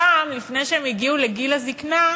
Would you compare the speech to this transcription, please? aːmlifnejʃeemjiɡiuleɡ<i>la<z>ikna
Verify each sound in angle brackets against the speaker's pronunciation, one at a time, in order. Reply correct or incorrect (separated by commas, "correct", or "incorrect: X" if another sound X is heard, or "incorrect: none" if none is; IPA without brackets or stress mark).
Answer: correct, correct